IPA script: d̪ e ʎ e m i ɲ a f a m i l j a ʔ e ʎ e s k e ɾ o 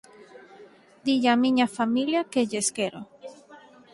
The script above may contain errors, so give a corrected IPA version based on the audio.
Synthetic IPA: d̪ i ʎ a m i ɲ a f a m i l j a k e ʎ e s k e ɾ o